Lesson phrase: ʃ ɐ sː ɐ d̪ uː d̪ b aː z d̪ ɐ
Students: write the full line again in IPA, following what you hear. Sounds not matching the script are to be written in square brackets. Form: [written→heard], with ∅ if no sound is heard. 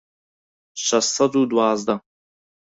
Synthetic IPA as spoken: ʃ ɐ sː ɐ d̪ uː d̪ [b→w] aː z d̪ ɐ